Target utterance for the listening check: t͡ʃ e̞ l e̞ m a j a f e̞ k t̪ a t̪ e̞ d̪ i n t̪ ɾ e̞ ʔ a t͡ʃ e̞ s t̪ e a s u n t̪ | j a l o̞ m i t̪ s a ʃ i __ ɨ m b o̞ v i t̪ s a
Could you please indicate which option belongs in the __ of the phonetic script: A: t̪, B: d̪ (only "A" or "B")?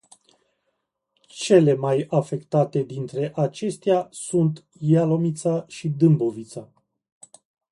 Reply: B